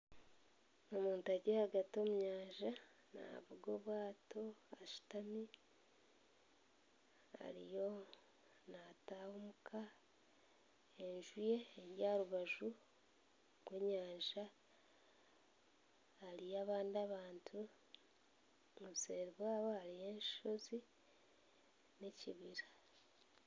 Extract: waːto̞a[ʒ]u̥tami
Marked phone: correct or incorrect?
incorrect